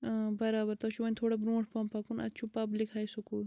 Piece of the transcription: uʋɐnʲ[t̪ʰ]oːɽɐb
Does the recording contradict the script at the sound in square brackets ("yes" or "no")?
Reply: no